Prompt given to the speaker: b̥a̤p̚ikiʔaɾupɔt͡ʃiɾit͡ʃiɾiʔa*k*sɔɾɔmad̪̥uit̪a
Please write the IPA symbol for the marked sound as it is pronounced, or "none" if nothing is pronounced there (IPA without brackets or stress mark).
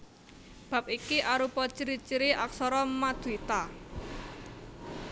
k